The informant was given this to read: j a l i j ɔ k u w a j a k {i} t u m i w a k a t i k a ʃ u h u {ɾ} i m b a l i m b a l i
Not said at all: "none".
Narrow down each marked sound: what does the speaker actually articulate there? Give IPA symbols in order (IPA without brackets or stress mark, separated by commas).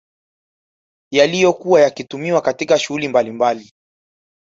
i, l